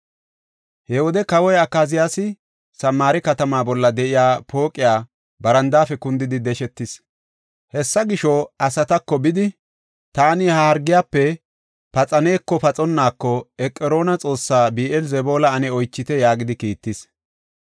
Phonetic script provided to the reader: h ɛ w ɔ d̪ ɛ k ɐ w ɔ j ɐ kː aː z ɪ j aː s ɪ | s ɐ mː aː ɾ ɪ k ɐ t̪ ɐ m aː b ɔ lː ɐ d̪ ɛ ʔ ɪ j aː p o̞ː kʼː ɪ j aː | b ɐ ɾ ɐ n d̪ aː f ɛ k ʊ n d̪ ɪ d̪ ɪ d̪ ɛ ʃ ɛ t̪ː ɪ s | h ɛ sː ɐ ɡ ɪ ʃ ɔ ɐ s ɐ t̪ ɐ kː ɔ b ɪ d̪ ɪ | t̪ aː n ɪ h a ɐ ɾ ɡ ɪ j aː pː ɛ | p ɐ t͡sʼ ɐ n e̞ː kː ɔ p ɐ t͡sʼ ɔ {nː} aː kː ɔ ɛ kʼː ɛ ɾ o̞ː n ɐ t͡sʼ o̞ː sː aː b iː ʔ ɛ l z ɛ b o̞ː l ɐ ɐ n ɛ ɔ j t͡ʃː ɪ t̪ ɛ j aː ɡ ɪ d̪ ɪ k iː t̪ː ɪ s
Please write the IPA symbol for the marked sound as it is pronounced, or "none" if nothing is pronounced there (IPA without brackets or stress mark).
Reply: nː